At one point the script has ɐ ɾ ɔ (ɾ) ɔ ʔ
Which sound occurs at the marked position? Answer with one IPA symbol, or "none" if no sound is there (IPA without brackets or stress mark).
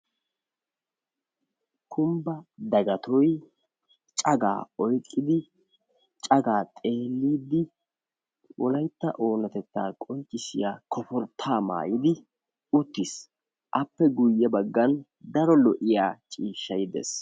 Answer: l